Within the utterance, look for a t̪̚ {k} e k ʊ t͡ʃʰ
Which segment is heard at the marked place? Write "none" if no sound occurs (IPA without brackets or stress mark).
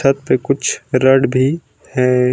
p